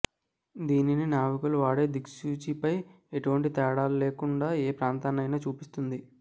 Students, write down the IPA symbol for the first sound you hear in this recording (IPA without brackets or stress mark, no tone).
d̪